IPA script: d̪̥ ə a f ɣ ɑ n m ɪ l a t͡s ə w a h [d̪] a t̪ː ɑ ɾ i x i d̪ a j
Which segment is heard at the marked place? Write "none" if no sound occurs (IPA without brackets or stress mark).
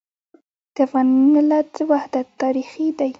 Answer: d̪